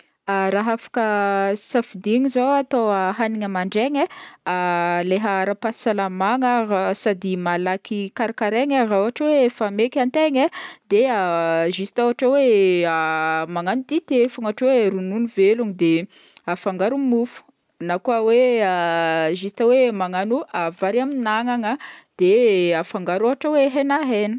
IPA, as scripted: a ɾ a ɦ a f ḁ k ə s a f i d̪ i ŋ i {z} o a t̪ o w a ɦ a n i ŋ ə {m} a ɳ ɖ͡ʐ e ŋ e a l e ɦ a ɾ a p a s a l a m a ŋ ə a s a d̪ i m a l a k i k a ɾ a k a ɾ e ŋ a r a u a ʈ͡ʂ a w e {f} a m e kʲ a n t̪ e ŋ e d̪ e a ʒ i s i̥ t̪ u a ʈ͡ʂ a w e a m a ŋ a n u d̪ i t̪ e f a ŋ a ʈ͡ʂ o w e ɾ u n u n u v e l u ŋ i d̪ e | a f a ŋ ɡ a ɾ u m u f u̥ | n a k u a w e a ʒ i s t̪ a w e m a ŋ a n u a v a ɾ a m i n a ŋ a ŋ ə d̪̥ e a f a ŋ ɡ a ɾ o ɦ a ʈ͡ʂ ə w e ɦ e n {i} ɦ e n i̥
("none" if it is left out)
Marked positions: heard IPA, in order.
z, m, f, a

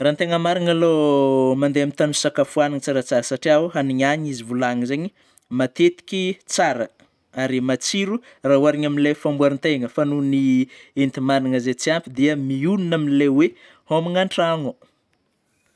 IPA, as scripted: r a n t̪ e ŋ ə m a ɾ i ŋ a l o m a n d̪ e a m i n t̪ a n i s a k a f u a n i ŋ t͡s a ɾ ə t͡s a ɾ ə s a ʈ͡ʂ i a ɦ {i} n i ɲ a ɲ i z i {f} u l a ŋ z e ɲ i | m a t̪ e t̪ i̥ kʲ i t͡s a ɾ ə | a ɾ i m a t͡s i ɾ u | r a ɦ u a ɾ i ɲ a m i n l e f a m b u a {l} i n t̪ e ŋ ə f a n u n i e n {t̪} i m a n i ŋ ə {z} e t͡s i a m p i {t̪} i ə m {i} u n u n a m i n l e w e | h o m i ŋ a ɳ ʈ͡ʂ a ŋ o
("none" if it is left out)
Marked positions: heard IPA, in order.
a, v, ɾ, t̪, z, d̪, i

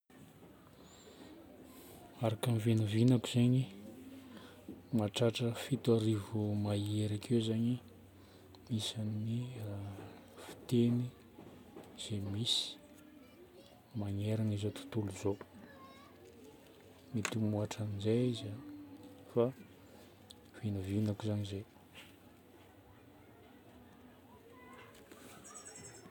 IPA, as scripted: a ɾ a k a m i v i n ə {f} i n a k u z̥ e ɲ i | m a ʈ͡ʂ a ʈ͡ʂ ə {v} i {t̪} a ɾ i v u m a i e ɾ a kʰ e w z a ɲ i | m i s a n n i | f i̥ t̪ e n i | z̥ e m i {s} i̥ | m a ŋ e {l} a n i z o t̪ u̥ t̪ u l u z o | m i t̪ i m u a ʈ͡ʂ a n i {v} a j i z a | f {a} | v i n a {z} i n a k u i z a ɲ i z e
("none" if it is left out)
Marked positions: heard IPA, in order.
v, f, t̪, s, ɾ, z, a, v

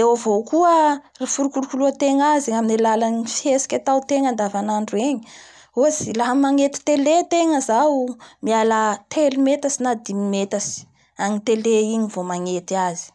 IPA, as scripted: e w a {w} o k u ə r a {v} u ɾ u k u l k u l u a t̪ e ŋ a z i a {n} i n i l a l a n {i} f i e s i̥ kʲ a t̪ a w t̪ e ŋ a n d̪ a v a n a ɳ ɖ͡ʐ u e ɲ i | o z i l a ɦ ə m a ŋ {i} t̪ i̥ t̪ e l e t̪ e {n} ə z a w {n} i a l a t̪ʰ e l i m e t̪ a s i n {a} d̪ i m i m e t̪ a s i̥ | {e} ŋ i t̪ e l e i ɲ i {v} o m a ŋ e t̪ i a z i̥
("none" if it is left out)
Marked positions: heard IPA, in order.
v, f, m, i, e, ŋ, m, a, a, v

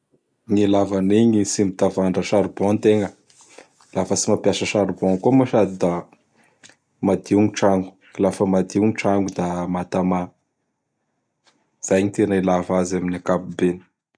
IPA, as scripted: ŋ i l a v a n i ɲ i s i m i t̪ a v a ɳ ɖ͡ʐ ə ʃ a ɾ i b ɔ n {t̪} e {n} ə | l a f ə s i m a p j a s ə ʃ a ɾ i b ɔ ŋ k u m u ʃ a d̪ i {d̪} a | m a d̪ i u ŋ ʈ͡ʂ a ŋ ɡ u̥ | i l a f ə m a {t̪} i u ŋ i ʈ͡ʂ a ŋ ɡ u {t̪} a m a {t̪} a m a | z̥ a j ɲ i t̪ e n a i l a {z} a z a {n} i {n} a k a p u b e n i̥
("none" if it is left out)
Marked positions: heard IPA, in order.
t̪, ŋ, d̪, d̪, d̪, t̪, v, m, n

